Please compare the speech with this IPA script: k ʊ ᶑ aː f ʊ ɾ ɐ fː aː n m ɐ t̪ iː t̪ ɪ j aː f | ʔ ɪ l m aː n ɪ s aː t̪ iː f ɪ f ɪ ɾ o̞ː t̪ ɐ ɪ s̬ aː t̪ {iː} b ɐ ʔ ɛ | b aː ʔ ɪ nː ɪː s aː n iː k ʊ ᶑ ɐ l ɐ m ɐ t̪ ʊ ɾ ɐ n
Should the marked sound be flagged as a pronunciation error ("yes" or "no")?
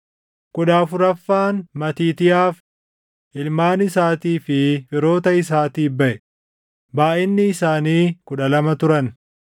no